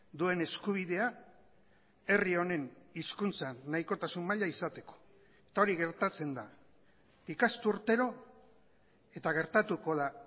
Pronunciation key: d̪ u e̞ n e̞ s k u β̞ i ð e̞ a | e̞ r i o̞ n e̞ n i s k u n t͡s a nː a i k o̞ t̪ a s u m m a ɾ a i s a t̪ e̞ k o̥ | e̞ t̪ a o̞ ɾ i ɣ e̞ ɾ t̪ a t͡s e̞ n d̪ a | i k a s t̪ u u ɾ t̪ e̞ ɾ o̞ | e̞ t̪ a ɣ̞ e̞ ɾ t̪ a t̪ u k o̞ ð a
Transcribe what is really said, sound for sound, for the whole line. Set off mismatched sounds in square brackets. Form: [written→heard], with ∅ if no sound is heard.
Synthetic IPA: d̪ u e̞ n e̞ s k u β̞ i ð e̞ a | e̞ r i o̞ n e̞ n i s k u n t͡s a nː a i k o̞ t̪ a s u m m a [ɾ→ʎ] a i s a t̪ e̞ k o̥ | e̞ t̪ a o̞ ɾ i ɣ e̞ ɾ t̪ a t͡s e̞ n d̪ a | i k a s t̪ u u ɾ t̪ e̞ ɾ o̞ | e̞ t̪ a ɣ̞ e̞ ɾ t̪ a t̪ u k o̞ ð a